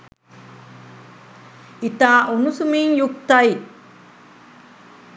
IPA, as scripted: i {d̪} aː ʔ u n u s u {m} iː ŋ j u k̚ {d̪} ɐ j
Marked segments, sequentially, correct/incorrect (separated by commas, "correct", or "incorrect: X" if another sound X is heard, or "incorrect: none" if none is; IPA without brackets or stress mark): incorrect: t̪, correct, incorrect: t̪